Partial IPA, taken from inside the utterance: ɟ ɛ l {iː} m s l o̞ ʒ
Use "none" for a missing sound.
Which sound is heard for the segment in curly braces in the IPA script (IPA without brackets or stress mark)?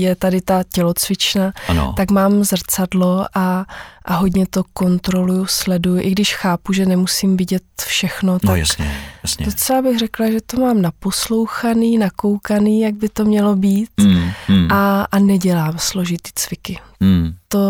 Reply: aː